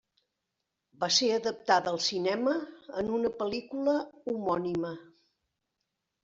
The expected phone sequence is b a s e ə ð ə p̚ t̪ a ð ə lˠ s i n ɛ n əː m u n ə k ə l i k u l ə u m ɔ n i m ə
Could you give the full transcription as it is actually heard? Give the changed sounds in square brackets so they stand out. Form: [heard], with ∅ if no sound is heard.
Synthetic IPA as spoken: b a s e ə ð ə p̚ t̪ a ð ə lˠ s i n ɛ [m] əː [n] u n ə [p] ə l i k u l ə u m ɔ n i m ə